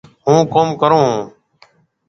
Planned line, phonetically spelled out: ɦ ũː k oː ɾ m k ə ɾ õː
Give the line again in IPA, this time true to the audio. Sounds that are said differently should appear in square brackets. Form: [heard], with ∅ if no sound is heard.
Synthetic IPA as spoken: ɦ ũː k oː [∅] m k ə ɾ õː